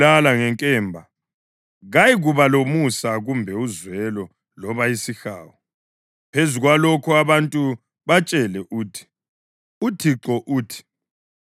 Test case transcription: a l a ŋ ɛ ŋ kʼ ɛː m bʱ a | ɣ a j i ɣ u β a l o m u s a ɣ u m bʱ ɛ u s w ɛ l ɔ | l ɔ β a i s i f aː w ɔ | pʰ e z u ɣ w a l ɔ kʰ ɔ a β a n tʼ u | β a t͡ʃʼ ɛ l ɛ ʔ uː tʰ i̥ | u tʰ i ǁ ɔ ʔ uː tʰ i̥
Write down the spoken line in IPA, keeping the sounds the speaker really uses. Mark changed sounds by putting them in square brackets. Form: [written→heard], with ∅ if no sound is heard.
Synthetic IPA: a l a ŋ ɛ ŋ kʼ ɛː m bʱ a | ɣ a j i ɣ u β a l o m u s a ɣ u m bʱ ɛ u [s→z] w ɛ l ɔ | l ɔ β a i s i [f→x] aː w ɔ | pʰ e z u ɣ w a l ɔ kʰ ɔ a β a n tʼ u | β a t͡ʃʼ ɛ l ɛ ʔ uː tʰ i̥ | u tʰ i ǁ ɔ ʔ uː tʰ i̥